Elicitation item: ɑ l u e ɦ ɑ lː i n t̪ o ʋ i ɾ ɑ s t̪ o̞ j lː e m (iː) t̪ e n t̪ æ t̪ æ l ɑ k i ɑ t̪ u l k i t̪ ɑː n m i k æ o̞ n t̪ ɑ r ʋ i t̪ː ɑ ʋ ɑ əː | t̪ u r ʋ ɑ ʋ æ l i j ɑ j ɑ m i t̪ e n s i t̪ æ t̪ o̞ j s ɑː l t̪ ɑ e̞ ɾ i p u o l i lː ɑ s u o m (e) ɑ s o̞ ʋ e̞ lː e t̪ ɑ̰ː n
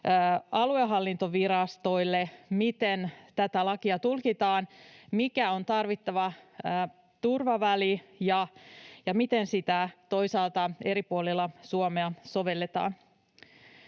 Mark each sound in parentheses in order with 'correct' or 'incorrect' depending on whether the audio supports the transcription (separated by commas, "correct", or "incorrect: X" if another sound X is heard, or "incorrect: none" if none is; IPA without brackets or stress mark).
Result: incorrect: i, correct